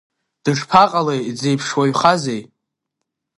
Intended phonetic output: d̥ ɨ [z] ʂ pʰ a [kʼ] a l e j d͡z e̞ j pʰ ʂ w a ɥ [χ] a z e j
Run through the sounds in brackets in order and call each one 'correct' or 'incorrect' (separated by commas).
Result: incorrect, incorrect, correct